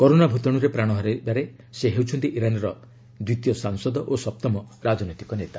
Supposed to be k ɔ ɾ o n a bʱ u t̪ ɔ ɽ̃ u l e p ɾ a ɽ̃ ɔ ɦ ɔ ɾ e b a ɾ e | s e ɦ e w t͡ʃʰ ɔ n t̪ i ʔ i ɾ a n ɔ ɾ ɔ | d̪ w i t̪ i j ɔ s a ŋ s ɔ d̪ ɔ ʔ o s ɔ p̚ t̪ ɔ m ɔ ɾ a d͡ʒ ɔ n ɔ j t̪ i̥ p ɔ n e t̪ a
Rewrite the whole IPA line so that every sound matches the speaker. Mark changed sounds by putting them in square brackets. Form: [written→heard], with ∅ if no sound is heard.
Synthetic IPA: k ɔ ɾ o n a bʱ u t̪ ɔ ɽ̃ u [l→ɾ] e p ɾ a ɽ̃ ɔ ɦ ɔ ɾ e b a ɾ e | s e ɦ e w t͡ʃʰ ɔ n t̪ i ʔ i ɾ a n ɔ ɾ ɔ | d̪ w i t̪ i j ɔ s a ŋ s ɔ d̪ ɔ ʔ o s ɔ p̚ t̪ ɔ m ɔ ɾ a d͡ʒ ɔ n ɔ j t̪ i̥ [p→k] ɔ n e t̪ a